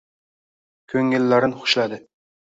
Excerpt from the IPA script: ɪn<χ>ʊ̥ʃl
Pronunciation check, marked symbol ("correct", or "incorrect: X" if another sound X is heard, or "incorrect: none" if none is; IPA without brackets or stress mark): correct